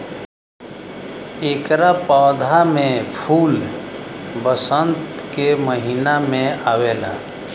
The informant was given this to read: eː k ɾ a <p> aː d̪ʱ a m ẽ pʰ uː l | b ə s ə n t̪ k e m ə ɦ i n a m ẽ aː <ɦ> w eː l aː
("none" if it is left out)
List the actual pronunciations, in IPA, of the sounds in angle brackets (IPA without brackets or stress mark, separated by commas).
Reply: p, none